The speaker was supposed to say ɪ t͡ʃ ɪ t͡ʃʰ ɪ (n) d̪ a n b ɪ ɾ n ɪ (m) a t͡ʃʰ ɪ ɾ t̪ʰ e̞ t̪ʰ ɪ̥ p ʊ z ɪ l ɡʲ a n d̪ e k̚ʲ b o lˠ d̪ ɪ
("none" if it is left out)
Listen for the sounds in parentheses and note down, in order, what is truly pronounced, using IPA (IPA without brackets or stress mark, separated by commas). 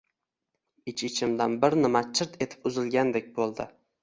m, m